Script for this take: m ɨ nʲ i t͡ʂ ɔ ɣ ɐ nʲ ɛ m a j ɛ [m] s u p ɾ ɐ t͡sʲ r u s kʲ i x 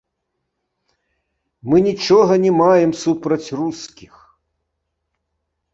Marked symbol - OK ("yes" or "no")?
yes